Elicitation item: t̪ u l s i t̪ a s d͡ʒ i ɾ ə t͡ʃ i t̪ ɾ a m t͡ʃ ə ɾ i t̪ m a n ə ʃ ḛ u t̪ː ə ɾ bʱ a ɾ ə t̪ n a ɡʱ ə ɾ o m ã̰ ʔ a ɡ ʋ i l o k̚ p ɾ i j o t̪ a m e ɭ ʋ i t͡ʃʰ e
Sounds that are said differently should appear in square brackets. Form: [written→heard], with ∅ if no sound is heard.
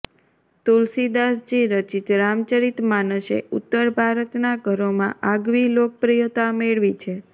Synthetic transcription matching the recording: t̪ u l s i [t̪→d̪] a s d͡ʒ i ɾ ə t͡ʃ i t̪ ɾ a m t͡ʃ ə ɾ i t̪ m a n ə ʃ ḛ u t̪ː ə ɾ bʱ a ɾ ə t̪ n a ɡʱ ə ɾ o m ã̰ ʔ a ɡ ʋ i l o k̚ p ɾ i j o t̪ a m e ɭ ʋ i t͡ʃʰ e